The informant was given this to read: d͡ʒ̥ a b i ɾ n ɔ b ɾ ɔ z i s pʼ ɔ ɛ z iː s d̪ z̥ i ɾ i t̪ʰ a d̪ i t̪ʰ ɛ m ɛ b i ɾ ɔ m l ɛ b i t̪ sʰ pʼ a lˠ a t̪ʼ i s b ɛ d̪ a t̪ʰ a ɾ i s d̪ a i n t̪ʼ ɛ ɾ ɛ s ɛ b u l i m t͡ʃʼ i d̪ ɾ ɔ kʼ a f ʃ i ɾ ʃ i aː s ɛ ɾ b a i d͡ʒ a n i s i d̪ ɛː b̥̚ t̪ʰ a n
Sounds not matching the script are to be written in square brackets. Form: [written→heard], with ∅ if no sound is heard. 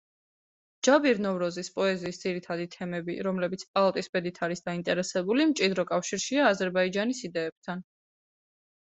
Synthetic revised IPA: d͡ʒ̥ a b i ɾ n ɔ [b→v] ɾ ɔ z i s pʼ ɔ ɛ z iː s d̪ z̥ i ɾ i t̪ʰ a d̪ i t̪ʰ ɛ m ɛ b i ɾ ɔ m l ɛ b i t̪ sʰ pʼ a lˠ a t̪ʼ i s b ɛ d̪ [a→i] t̪ʰ a ɾ i s d̪ a i n t̪ʼ ɛ ɾ ɛ s ɛ b u l i m t͡ʃʼ i d̪ ɾ ɔ kʼ a f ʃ i ɾ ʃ i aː [s→z] ɛ ɾ b a i d͡ʒ a n i s i d̪ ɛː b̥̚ t̪ʰ a n

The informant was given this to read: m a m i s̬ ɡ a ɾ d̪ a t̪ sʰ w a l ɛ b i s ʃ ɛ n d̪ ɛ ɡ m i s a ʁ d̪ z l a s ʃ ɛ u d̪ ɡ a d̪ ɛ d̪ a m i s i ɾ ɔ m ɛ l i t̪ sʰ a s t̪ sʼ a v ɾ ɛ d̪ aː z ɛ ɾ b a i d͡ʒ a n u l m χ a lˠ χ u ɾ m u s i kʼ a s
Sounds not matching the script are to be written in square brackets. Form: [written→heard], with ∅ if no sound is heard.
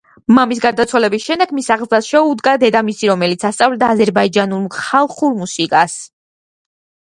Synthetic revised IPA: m a m i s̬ ɡ a ɾ d̪ a t̪ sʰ w a l ɛ b i s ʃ ɛ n d̪ ɛ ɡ m i s a ʁ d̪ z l a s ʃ ɛ u d̪ ɡ a d̪ ɛ d̪ a m i s i ɾ ɔ m ɛ l i t̪ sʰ a s t̪ sʼ a v [ɾ→l] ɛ d̪ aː z ɛ ɾ b a i d͡ʒ a n u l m χ a lˠ χ u ɾ m u s i kʼ a s

